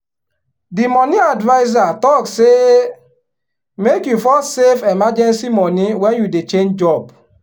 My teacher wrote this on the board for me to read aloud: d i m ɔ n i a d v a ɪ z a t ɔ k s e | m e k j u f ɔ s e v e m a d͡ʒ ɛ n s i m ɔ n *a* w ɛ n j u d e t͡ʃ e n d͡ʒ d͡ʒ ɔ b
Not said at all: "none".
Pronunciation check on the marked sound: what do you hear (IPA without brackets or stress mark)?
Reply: i